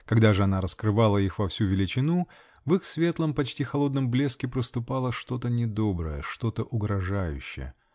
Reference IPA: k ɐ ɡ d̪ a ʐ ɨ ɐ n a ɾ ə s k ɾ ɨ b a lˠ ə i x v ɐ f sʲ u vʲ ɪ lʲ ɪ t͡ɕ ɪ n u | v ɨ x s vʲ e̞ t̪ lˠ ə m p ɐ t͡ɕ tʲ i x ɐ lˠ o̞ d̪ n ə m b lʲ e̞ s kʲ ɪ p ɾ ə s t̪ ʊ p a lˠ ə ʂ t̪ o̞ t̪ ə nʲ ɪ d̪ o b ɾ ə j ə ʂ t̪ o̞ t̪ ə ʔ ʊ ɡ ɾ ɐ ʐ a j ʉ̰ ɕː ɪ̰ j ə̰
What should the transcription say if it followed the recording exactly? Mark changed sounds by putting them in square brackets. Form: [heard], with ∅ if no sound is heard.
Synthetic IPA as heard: k ɐ ɡ d̪ a ʐ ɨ ɐ n a ɾ ə s k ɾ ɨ [v] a lˠ ə i x v ɐ f sʲ u vʲ ɪ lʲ ɪ t͡ɕ ɪ n u | v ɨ x s vʲ e̞ t̪ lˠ ə m p ɐ t͡ɕ tʲ i x ɐ lˠ o̞ d̪ n ə m b lʲ e̞ s kʲ ɪ p ɾ ə s t̪ ʊ p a lˠ ə ʂ t̪ o̞ t̪ ə nʲ ɪ d̪ o b ɾ ə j ə ʂ t̪ o̞ t̪ ə ʔ ʊ ɡ ɾ ɐ ʐ a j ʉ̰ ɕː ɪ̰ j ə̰

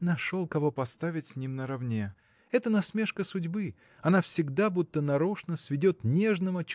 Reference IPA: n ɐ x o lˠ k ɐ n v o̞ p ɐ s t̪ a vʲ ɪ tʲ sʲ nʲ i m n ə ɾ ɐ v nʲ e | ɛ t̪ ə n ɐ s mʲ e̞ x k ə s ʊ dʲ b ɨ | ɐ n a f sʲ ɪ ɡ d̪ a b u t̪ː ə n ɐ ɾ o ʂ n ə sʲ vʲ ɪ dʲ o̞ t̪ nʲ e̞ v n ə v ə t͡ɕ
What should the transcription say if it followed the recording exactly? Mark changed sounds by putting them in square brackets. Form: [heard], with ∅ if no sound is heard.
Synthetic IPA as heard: n ɐ [ʂ] o lˠ k ɐ [∅] v o̞ p ɐ s t̪ a vʲ ɪ tʲ sʲ nʲ i m n ə ɾ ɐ v nʲ e | ɛ t̪ ə n ɐ s mʲ e̞ [ʂ] k ə s ʊ dʲ b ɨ | ɐ n a f sʲ ɪ ɡ d̪ a b u t̪ː ə n ɐ ɾ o ʂ n ə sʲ vʲ ɪ dʲ o̞ t̪ nʲ e̞ [ʐ] n ə v ə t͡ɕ

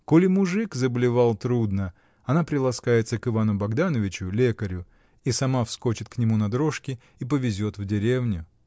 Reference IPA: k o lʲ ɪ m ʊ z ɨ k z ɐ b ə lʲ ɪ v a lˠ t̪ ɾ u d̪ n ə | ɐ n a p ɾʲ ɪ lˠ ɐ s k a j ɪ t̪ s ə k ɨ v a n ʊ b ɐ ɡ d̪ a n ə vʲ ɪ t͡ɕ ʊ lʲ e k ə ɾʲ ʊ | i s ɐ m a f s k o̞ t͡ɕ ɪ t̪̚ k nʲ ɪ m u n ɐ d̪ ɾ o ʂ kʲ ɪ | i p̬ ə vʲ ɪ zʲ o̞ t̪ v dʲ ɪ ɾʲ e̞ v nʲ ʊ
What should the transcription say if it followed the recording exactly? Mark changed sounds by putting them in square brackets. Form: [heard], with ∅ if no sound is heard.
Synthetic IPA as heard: k o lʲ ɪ m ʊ [ʐ] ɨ k z [ə] b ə lʲ ɪ v a lˠ t̪ ɾ u d̪ n ə | ɐ n a p ɾʲ ɪ lˠ ɐ s k a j ɪ t̪ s ə k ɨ v a n ʊ b ɐ ɡ d̪ a n ə vʲ ɪ t͡ɕ ʊ lʲ e k ə ɾʲ ʊ | i s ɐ m a f s k o̞ t͡ɕ ɪ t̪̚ k nʲ ɪ m u n ɐ d̪ ɾ o ʂ kʲ ɪ | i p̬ ə vʲ ɪ zʲ o̞ t̪ v dʲ ɪ ɾʲ e̞ v nʲ ʊ

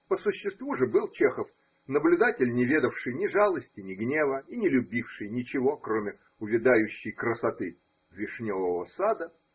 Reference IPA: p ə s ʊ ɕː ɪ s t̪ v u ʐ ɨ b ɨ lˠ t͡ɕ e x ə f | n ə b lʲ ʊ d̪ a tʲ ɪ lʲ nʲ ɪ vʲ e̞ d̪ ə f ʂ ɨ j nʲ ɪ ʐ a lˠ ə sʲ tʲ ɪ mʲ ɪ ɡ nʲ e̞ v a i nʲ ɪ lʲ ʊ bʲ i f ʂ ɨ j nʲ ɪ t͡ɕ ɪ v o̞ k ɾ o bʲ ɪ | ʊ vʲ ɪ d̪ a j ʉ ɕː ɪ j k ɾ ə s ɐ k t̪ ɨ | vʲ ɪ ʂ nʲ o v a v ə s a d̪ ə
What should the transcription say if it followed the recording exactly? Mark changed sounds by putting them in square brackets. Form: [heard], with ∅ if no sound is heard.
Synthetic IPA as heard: p ə s ʊ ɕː ɪ s t̪ v u ʐ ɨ b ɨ lˠ t͡ɕ e x ə f | n ə b lʲ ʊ d̪ a tʲ ɪ lʲ nʲ ɪ vʲ e̞ d̪ ə f ʂ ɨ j nʲ ɪ ʐ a lˠ ə sʲ tʲ ɪ [nʲ] ɪ ɡ nʲ e̞ v [ə] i nʲ ɪ lʲ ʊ bʲ i f ʂ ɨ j nʲ ɪ t͡ɕ ɪ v o̞ k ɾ o [mʲ] ɪ | ʊ vʲ ɪ d̪ a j ʉ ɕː ɪ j k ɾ ə s ɐ [∅] t̪ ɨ | vʲ ɪ ʂ nʲ o v [ə] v ə s a d̪ ə

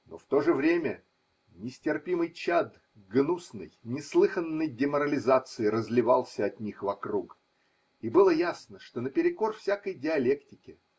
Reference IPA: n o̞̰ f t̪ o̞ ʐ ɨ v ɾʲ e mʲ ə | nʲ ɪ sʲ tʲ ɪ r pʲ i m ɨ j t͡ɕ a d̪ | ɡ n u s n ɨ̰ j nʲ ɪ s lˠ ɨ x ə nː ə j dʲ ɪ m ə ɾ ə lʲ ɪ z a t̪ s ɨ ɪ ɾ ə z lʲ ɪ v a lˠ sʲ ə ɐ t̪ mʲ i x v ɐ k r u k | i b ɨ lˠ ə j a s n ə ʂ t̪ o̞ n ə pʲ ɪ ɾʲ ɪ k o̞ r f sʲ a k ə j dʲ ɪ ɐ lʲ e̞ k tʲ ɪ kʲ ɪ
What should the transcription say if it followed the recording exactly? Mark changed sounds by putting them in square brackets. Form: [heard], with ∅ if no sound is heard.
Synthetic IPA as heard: n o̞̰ f t̪ o̞ ʐ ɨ v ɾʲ e mʲ ə | nʲ ɪ sʲ tʲ ɪ r pʲ i m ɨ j t͡ɕ a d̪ | ɡ n u s n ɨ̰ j nʲ ɪ s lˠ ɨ x ə nː ə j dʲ ɪ m ə ɾ ə lʲ ɪ z a t̪ s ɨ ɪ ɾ ə z lʲ ɪ v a lˠ sʲ ə ɐ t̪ [nʲ] i x v ɐ k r u k | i b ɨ lˠ ə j a s n ə ʂ t̪ o̞ n ə pʲ ɪ ɾʲ ɪ k o̞ r f sʲ a k ə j dʲ ɪ ɐ lʲ e̞ k tʲ ɪ kʲ ɪ

